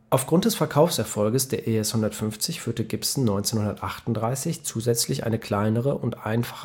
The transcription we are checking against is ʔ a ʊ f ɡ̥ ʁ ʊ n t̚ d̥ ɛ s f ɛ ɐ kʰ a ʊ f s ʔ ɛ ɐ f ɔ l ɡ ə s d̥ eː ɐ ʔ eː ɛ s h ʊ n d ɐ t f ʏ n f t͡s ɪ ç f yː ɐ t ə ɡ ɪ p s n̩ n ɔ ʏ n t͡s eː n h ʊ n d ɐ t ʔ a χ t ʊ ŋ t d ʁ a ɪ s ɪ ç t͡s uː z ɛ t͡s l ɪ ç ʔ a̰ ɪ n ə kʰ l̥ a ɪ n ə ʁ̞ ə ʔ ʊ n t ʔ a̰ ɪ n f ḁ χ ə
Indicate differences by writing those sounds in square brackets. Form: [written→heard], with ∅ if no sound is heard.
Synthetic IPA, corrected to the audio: ʔ a ʊ f ɡ̥ ʁ ʊ n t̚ d̥ ɛ s f ɛ ɐ kʰ a ʊ f s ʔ ɛ ɐ f ɔ l ɡ ə s d̥ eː ɐ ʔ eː ɛ s h ʊ n d ɐ t f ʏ n f t͡s ɪ ç f yː ɐ t ə ɡ ɪ p s n̩ n ɔ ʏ n t͡s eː n h ʊ n d ɐ t ʔ a χ t ʊ [ŋ→n] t d ʁ a ɪ s ɪ ç t͡s uː z ɛ t͡s l ɪ ç ʔ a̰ ɪ n ə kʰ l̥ a ɪ n ə ʁ̞ ə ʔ ʊ n t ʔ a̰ ɪ n f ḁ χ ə